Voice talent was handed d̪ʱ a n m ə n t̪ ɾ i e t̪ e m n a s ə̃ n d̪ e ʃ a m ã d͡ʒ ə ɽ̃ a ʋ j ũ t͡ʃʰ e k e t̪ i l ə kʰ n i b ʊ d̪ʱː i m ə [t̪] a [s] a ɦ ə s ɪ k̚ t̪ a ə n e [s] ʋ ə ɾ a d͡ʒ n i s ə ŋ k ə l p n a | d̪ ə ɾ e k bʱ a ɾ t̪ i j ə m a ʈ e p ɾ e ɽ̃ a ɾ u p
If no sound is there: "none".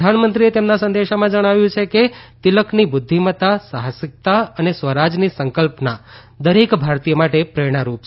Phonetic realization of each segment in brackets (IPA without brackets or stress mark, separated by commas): t̪, s, s